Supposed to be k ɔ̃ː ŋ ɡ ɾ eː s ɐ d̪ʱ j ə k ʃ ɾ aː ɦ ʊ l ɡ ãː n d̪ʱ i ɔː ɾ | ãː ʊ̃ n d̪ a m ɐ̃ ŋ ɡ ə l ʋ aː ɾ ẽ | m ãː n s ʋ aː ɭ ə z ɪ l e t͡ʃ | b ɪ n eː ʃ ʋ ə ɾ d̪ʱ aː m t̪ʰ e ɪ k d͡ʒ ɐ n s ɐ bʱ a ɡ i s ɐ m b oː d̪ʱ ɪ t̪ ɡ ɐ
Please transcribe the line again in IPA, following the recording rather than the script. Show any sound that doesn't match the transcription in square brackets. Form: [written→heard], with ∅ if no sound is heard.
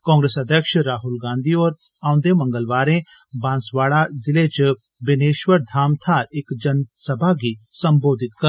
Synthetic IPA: k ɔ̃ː ŋ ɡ ɾ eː s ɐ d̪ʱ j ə k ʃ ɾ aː ɦ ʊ l ɡ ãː n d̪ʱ i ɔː ɾ | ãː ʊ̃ n d̪ [a→e] m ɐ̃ ŋ ɡ ə l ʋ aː ɾ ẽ | [m→b] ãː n s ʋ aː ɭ [ə→a] z ɪ l e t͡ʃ | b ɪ n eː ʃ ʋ ə ɾ d̪ʱ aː m t̪ʰ [e→a] ɪ k d͡ʒ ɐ n s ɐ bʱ a ɡ i s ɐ m b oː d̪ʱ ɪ t̪ [ɡ→k] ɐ